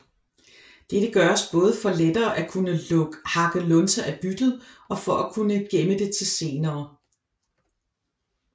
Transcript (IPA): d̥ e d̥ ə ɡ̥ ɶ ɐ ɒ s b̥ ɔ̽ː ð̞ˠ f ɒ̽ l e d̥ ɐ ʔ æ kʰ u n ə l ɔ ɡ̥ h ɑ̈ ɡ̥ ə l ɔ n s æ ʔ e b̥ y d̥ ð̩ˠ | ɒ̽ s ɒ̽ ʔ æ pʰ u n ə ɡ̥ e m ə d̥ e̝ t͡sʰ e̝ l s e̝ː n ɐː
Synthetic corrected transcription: d̥ e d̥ ə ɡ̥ ɶ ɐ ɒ s b̥ ɔ̽ː ð̞ˠ f ɒ̽ l e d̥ ɐː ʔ æ kʰ u n ə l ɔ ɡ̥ h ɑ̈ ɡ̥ ə l ɔ n s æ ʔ æ b̥ y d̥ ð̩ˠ | ɒ̽ f ɒ̽ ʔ æ kʰ u n ə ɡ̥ e m ə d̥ e̝ t͡sʰ e̝ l s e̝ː n ɐː